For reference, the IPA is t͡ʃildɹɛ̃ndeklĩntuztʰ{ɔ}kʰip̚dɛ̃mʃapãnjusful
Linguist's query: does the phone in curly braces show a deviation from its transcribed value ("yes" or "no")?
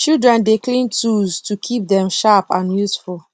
yes